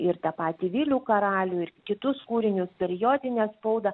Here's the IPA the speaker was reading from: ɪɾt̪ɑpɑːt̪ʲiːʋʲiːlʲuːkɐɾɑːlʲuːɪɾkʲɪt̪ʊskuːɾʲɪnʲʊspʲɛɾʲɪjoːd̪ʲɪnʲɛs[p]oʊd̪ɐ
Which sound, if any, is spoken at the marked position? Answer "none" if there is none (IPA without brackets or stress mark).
p